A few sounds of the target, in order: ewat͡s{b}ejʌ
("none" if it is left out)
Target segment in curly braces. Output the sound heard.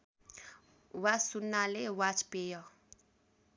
p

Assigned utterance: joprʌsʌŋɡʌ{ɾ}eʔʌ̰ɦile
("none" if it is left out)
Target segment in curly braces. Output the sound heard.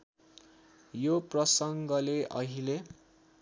l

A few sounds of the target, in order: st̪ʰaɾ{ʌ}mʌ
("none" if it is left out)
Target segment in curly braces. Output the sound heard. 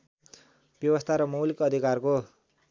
ʌ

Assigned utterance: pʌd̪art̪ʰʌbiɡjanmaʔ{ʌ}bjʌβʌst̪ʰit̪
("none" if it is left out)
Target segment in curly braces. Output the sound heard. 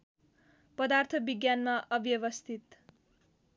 ʌ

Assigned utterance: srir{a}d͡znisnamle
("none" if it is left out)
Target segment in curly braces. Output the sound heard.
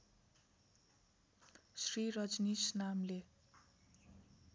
ʌ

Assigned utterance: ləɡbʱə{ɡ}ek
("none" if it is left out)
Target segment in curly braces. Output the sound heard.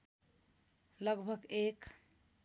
ɡ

